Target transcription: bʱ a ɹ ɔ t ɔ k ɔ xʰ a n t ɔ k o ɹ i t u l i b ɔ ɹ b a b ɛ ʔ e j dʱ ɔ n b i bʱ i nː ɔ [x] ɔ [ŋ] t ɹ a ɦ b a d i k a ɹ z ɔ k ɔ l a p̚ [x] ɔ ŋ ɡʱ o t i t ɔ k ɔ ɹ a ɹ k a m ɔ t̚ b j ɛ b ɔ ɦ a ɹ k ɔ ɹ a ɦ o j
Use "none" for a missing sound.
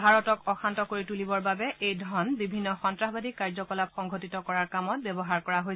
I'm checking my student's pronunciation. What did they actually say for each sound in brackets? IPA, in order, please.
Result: x, n, x

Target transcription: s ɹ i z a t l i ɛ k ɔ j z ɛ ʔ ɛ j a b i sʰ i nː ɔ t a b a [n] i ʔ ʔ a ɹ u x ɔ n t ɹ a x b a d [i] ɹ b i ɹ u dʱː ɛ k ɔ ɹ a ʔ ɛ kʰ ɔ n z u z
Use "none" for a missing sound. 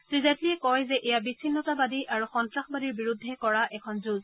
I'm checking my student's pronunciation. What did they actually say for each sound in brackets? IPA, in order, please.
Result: d, i

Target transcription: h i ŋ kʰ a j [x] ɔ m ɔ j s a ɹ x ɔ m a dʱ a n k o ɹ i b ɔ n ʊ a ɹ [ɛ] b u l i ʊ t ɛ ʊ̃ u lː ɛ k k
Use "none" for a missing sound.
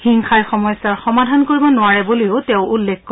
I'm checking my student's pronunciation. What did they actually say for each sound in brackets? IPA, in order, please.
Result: x, ɛ

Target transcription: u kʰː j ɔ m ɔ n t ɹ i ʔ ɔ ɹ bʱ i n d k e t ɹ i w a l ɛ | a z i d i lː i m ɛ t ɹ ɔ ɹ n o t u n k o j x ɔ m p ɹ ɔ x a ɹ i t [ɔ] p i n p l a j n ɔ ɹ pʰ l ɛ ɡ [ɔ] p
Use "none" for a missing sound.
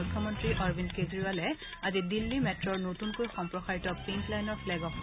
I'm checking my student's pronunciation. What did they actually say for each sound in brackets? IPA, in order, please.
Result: ɔ, ɔ

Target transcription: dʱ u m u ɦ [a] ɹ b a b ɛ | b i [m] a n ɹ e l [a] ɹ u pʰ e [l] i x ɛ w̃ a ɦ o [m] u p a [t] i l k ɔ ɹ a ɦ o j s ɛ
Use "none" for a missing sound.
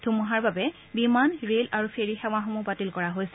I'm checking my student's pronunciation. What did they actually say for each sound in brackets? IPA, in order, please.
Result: a, m, a, ɹ, m, t

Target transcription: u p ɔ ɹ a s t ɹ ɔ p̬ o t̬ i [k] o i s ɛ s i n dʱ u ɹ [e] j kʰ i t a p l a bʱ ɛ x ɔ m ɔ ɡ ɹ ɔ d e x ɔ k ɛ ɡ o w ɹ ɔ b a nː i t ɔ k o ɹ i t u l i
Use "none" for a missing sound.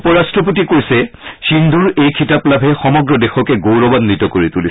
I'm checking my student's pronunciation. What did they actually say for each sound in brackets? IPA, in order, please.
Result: k, e

